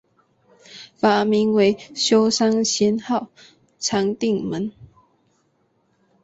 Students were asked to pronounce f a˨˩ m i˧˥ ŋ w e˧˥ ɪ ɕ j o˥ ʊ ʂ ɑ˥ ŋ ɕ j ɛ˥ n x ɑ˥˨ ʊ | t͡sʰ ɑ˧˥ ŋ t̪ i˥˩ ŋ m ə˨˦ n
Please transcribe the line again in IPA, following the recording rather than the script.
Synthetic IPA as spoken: f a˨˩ m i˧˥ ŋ w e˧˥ ɪ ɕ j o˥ ʊ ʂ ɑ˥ ŋ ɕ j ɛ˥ n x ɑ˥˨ ʊ | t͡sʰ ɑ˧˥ ŋ t̪ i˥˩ ŋ m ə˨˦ n